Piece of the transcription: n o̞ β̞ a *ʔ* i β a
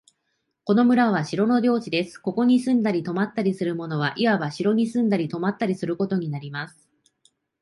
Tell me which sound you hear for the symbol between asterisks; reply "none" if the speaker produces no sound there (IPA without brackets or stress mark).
ʔ